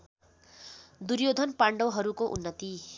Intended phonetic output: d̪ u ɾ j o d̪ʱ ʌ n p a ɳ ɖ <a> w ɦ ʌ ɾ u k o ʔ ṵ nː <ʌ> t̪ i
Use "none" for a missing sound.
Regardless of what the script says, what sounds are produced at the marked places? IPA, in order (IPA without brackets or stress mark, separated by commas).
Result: ʌ, ʌ